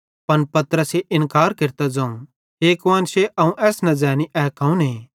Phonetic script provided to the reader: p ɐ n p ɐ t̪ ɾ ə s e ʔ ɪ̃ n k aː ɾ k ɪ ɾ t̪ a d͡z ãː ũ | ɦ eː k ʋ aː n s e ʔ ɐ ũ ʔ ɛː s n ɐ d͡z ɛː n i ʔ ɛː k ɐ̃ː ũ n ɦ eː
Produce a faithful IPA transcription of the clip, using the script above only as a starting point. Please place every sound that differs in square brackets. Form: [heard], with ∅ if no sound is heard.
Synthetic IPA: p ɐ n p ɐ t̪ ɾ ə s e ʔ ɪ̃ n k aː ɾ k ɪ ɾ t̪ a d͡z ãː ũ | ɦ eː k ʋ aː n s e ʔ ɐ ũ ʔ ɛː s n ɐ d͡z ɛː n i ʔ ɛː k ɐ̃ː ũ n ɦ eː

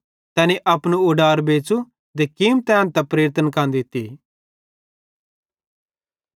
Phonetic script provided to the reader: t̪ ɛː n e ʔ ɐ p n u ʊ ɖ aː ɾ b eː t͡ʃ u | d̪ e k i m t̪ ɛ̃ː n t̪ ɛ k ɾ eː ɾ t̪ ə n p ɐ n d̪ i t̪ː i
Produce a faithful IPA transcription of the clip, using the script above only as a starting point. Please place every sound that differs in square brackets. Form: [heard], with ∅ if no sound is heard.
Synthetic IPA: t̪ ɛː n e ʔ ɐ p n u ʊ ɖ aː ɾ b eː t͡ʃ u | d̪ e k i m t̪ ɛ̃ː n t̪ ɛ [p] ɾ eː ɾ t̪ ə n [k] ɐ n d̪ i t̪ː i

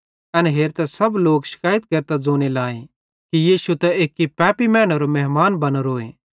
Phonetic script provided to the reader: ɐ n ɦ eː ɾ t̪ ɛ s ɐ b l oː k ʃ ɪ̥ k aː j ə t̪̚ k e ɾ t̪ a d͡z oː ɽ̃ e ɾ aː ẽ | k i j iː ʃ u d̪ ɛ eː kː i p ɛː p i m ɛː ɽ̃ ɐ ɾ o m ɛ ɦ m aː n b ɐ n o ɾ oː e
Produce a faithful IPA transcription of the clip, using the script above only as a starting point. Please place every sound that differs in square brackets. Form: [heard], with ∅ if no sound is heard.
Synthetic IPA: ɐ n ɦ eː ɾ t̪ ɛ s ɐ b l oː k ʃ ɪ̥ k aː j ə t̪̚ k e ɾ t̪ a d͡z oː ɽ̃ e [l] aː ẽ | k i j iː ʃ u [t̪] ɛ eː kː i p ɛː p i m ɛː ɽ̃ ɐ ɾ o m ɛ ɦ m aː n b ɐ n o ɾ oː e

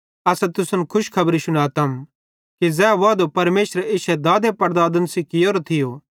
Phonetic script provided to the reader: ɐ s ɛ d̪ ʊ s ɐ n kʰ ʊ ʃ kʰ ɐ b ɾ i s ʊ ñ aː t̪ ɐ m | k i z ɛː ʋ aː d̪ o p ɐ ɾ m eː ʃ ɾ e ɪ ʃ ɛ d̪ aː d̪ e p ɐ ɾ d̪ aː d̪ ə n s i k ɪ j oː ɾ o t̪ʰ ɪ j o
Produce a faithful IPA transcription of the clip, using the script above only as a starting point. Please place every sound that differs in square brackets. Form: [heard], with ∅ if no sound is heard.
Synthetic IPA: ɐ s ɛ [t̪] ʊ s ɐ n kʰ ʊ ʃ kʰ ɐ b ɾ i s ʊ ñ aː t̪ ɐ m | k i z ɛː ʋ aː d̪ o p ɐ ɾ m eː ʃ ɾ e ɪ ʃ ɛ d̪ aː d̪ e p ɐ ɾ d̪ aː d̪ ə n s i k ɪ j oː ɾ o t̪ʰ ɪ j o

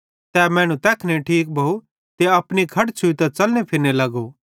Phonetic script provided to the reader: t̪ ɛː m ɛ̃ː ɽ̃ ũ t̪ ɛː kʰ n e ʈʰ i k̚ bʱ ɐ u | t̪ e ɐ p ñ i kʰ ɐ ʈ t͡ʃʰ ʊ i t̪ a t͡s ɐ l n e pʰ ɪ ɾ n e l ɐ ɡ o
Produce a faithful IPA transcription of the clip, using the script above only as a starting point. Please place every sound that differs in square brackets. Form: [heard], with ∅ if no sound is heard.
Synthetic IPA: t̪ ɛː m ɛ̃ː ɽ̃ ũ t̪ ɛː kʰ n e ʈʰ [iː] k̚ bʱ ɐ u | t̪ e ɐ p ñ i kʰ ɐ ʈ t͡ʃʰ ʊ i t̪ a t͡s ɐ l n e pʰ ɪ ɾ n e l ɐ ɡ o

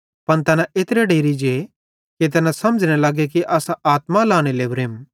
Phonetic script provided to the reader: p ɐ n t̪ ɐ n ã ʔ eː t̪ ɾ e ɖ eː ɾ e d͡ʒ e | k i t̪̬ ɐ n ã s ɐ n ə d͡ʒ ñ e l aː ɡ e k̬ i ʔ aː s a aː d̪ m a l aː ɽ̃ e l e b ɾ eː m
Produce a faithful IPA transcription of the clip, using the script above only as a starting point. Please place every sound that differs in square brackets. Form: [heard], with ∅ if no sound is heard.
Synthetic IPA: p ɐ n t̪ ɐ n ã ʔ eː t̪ ɾ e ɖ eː ɾ [i] d͡ʒ e | k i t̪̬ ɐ n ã s ɐ [m] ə d͡ʒ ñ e l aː ɡ e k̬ i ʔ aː s a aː [t̪] m a l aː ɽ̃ e l e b ɾ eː m

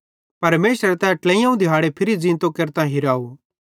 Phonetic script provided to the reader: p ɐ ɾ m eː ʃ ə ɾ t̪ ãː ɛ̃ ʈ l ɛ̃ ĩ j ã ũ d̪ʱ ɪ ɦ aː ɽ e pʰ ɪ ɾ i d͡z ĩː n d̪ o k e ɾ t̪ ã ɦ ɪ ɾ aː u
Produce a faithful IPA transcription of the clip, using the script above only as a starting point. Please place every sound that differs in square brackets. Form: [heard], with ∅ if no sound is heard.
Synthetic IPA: p ɐ ɾ m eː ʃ ə ɾ t̪ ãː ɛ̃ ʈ l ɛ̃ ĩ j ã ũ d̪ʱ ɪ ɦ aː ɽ e pʰ ɪ ɾ i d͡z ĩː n [t̪] o k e ɾ t̪ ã ɦ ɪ ɾ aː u

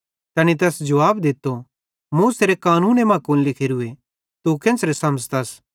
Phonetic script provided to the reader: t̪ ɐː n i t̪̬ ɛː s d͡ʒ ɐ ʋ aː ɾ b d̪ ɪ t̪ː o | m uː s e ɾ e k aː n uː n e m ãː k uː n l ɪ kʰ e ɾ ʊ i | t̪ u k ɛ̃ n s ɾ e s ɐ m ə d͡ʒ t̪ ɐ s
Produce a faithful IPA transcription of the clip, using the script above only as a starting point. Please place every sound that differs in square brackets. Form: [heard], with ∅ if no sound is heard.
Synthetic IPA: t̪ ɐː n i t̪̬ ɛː s d͡ʒ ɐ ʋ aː [∅] b d̪ ɪ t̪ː o | m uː s e ɾ e k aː n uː n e m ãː k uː n l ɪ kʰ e ɾ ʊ [e] | t̪ u k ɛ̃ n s ɾ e s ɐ m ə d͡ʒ t̪ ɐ s

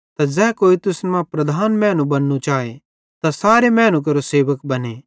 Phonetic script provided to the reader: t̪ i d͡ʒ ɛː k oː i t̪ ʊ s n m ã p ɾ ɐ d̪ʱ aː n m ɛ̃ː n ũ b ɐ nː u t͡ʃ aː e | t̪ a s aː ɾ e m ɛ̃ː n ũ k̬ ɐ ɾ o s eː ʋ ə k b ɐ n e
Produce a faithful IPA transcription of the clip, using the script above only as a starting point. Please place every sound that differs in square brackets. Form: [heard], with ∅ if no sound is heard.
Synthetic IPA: t̪ [a] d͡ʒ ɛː k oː i t̪ ʊ s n m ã p ɾ ɐ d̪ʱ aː n m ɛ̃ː n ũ b ɐ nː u t͡ʃ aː e | t̪ a s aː ɾ e m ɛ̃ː n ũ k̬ ɐ ɾ o s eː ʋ ə k b ɐ n e

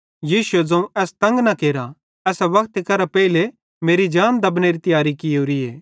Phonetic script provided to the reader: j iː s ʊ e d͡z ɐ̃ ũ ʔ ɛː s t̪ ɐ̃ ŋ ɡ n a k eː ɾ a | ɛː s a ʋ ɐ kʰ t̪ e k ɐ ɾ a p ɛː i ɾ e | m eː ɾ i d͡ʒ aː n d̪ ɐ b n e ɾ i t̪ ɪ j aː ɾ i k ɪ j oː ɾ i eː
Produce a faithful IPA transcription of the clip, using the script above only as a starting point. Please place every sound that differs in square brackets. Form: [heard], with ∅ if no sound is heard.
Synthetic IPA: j iː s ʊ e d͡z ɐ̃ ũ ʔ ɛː s t̪ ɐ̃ ŋ ɡ n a k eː ɾ a | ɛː s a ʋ ɐ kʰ t̪ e k ɐ ɾ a p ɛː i [l] e | m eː ɾ i d͡ʒ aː n d̪ ɐ b n e ɾ i t̪ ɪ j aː ɾ i k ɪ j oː ɾ i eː

